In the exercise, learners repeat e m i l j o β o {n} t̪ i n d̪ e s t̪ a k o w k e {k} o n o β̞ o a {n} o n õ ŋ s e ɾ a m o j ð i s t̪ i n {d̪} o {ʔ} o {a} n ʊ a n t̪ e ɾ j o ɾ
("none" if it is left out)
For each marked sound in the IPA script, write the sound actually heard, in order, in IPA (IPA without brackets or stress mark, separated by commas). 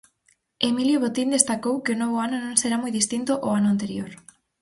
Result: none, none, n, t̪, ʔ, a